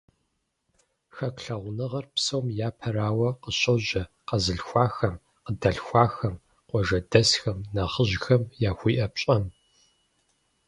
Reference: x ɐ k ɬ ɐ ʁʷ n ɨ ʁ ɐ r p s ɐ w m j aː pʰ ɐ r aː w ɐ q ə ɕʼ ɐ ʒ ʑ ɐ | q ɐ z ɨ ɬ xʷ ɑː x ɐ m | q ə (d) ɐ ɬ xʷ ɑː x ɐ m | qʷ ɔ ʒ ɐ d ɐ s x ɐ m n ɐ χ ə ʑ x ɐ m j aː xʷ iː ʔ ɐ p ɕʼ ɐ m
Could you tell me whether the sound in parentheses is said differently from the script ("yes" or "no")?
no